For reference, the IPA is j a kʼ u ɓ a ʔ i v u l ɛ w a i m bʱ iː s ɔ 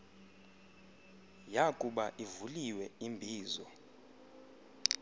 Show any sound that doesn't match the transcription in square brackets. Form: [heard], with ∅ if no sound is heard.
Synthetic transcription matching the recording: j a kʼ u ɓ a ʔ i v u l [i] w [ɛ] i m bʱ iː [z] ɔ